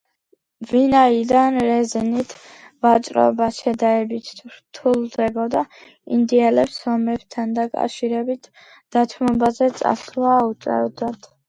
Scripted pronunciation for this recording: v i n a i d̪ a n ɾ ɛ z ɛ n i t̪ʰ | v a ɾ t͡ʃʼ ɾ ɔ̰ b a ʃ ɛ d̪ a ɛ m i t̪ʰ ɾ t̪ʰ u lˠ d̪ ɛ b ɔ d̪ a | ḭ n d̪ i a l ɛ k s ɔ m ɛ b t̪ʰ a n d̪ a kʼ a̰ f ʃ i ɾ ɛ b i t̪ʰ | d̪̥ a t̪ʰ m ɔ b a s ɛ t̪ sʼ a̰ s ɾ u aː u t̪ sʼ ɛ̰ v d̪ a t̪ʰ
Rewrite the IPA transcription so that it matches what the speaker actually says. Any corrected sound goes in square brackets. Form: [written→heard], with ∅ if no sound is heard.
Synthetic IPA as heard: v i n a i d̪ a n ɾ ɛ z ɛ n i t̪ʰ | v a [ɾ→∅] t͡ʃʼ ɾ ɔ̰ b a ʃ ɛ d̪ a ɛ [m→b] i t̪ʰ ɾ t̪ʰ u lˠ d̪ ɛ b ɔ d̪ a | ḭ n d̪ i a l ɛ [k→p] s ɔ m ɛ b t̪ʰ a n d̪ a kʼ a̰ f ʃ i ɾ ɛ b i t̪ʰ | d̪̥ a t̪ʰ m ɔ b a [s→z] ɛ t̪ sʼ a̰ s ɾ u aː u t̪ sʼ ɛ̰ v d̪ a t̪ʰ